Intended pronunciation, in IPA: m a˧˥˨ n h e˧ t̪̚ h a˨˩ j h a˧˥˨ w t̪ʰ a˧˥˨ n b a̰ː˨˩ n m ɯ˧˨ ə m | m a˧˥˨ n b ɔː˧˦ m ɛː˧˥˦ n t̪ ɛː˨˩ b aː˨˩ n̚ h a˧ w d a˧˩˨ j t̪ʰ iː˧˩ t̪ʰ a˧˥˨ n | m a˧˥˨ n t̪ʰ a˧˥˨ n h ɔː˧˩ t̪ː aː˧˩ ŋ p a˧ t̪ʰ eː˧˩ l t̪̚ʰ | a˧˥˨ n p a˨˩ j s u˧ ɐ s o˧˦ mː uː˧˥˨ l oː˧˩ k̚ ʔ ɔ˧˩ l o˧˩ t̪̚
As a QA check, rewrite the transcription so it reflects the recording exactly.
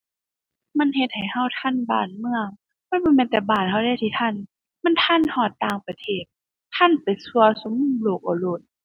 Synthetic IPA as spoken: m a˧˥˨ n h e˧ t̪̚ h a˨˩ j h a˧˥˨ w t̪ʰ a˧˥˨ n b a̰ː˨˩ n m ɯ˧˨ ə ŋ | m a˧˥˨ n b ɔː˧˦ m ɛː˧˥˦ n t̪ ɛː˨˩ b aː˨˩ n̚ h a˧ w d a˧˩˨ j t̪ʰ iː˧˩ t̪ʰ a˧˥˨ n | m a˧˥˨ n t̪ʰ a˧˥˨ n h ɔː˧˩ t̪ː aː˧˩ ŋ p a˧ t̪ʰ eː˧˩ t̪̚ʰ | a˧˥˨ n p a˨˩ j s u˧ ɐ s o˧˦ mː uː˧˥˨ l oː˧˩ k̚ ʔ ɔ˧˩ l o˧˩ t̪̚

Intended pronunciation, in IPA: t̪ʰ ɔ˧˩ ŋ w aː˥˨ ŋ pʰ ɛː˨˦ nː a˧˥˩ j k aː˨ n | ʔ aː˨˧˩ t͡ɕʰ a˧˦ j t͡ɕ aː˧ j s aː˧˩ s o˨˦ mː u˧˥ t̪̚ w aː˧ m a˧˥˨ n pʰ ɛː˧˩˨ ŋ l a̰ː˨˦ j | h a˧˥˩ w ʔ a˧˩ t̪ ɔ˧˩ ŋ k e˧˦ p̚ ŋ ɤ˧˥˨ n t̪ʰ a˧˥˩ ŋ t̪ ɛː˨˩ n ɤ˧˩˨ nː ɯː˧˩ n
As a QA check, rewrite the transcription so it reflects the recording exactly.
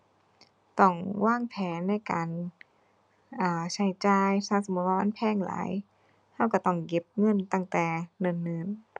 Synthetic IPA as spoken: t̪ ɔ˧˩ ŋ w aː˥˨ ŋ pʰ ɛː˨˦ nː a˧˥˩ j k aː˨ n | ʔ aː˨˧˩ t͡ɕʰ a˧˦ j t͡ɕ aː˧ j s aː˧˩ s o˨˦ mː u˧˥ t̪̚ w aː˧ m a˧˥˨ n pʰ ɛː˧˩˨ ŋ l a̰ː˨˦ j | h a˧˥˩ w k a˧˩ t̪ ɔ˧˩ ŋ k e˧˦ p̚ ŋ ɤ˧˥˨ n t̪ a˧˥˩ ŋ t̪ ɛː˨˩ n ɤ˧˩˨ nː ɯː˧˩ n

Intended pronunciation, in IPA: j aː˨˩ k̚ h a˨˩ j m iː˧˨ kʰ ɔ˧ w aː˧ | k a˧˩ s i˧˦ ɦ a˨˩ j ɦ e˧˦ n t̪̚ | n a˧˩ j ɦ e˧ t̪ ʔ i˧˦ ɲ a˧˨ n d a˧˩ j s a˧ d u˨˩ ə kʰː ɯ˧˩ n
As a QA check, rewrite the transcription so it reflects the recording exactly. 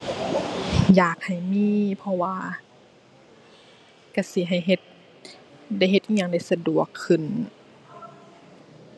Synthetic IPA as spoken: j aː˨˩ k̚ h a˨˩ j m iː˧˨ pʰ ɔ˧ w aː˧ | k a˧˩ s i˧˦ ɦ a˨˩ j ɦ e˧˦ t̪̚ | d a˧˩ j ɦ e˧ t̪ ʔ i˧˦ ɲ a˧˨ ŋ d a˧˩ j s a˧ d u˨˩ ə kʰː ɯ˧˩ n

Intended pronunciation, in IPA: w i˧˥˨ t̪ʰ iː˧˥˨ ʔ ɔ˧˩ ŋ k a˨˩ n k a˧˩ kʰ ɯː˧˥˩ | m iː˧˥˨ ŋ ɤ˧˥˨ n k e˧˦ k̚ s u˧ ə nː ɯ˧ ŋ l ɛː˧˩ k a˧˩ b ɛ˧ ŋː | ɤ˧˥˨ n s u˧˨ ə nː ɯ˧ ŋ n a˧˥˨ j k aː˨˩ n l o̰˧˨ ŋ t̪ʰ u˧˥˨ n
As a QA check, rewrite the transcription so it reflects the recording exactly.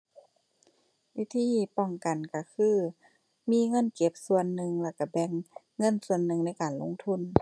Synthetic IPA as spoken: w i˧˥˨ t̪ʰ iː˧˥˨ p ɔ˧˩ ŋ k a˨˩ n k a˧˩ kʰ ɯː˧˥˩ | m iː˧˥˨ ŋ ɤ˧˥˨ n k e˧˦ p̚ s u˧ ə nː ɯ˧ ŋ l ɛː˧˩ k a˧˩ b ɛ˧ ŋː | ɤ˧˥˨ n s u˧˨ ə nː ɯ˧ ŋ n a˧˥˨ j k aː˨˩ n l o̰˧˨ ŋ t̪ʰ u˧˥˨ n

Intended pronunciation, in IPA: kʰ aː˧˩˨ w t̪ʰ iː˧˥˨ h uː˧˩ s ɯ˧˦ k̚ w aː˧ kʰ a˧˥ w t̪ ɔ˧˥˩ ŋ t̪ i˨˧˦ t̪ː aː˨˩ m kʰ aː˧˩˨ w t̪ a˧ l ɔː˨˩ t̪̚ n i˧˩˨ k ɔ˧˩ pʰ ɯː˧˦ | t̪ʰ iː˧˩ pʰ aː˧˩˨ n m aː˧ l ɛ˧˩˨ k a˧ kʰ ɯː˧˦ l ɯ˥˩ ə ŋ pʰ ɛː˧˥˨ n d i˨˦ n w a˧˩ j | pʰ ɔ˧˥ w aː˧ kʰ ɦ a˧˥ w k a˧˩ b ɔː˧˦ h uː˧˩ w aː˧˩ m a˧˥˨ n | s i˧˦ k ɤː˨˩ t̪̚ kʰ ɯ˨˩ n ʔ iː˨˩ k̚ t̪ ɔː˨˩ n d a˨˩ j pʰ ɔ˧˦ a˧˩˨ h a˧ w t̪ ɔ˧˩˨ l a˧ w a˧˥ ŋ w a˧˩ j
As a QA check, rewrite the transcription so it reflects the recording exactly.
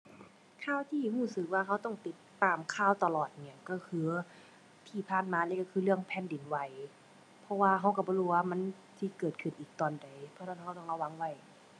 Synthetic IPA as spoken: kʰ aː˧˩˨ w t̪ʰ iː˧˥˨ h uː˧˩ s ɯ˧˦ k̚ w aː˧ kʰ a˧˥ w t̪ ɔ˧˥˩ ŋ t̪ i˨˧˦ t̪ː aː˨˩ m kʰ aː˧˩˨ w t̪ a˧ l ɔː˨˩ t̪̚ n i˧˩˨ k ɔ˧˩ kʰ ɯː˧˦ | t̪ʰ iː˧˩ pʰ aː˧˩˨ n m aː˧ l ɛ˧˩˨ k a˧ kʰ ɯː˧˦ l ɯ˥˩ ə ŋ pʰ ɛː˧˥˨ n d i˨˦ n w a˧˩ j | pʰ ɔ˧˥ w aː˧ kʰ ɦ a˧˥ w k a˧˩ b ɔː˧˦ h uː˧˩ w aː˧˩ m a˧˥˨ n | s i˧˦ k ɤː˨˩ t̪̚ kʰ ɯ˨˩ n ʔ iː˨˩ k̚ t̪ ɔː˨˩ n d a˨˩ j pʰ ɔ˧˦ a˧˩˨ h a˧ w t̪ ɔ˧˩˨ l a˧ w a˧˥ ŋ w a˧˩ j

